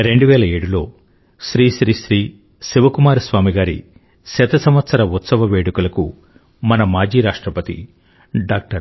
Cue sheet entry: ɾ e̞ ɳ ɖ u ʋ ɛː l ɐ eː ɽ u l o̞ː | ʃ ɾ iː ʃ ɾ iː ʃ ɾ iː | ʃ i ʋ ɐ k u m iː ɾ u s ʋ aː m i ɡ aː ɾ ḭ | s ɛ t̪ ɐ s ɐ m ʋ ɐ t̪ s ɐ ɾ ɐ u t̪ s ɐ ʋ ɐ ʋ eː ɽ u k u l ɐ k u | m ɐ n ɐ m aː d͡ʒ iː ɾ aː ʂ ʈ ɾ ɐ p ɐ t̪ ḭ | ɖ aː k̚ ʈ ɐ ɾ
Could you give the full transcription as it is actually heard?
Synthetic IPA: ɾ e̞ ɳ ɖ u ʋ ɛː l ɐ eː ɽ u l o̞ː | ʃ ɾ iː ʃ ɾ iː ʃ ɾ iː | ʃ i ʋ ɐ k u m aː ɾ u s ʋ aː m i ɡ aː ɾ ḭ | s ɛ t̪ ɐ s ɐ m ʋ ɐ t̪ s ɐ ɾ ɐ u t̪ s ɐ ʋ ɐ ʋ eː ɽ u k u l ɐ k u | m ɐ n ɐ m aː d͡ʒ iː ɾ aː ʂ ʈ ɾ ɐ p ɐ t̪ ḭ | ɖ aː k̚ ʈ ɐ ɾ